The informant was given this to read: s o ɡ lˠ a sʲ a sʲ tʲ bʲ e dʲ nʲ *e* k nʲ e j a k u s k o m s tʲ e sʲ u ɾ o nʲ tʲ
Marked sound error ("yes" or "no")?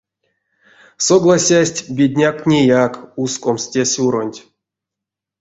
yes